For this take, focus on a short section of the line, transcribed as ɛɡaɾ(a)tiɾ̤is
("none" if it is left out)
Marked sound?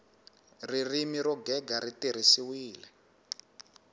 i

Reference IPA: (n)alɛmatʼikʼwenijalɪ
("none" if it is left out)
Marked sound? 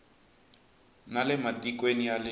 n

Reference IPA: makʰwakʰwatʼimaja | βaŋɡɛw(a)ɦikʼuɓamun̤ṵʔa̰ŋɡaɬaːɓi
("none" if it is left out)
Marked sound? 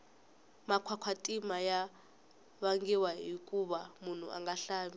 a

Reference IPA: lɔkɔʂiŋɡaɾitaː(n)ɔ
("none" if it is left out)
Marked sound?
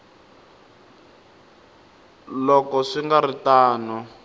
n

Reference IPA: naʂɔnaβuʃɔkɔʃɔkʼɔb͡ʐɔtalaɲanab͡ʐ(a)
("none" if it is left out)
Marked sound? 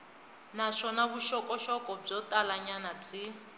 i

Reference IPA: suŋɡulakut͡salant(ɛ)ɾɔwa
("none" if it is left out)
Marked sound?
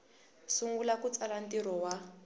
i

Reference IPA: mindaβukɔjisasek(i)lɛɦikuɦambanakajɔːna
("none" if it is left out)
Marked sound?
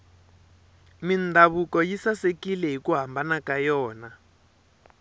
i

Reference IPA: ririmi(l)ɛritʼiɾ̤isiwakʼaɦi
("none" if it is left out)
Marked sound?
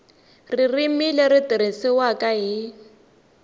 l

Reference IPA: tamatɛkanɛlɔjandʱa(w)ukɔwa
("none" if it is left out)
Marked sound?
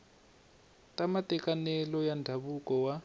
β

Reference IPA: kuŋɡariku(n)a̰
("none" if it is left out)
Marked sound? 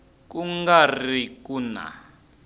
n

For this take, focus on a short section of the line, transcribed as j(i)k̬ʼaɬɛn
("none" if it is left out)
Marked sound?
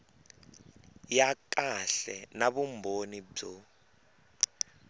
a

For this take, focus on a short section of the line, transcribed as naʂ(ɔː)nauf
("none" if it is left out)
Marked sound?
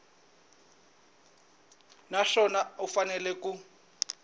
ɔ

